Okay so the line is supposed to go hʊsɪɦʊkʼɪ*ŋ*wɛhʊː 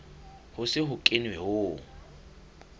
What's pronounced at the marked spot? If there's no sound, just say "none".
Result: n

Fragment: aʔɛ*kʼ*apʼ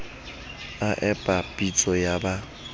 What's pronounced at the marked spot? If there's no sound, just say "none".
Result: pʼ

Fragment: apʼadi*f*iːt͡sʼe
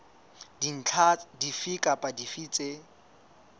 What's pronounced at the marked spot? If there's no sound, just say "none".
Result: f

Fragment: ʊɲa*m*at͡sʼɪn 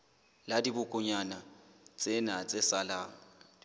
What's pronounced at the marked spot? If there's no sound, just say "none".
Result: n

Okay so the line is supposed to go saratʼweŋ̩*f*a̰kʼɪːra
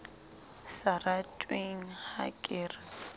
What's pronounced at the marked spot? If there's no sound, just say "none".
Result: h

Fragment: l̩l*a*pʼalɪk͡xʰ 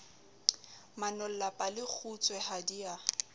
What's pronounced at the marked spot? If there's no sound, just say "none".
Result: a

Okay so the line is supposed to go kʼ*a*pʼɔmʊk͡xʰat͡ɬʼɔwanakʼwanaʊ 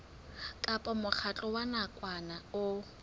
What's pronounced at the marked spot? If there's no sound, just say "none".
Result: a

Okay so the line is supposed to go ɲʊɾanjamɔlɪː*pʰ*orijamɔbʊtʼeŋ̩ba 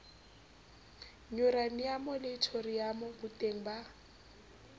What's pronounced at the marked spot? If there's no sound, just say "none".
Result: tʰ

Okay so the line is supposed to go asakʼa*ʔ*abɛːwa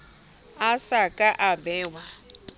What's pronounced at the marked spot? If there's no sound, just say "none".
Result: ʔ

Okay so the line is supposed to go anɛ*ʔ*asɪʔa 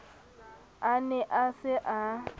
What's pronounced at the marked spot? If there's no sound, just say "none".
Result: ʔ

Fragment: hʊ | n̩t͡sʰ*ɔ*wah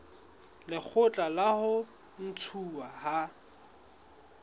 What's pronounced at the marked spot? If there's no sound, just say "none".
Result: u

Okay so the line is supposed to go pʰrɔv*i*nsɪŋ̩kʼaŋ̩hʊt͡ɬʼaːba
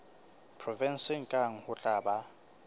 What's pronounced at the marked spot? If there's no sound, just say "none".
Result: ɛ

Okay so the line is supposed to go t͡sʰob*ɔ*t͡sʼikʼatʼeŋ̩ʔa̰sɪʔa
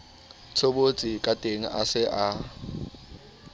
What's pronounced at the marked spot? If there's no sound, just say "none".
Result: o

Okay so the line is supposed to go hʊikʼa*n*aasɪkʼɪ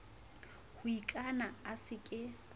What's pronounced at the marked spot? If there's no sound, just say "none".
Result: n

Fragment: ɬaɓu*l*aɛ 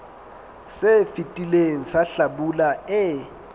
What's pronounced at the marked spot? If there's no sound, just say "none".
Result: l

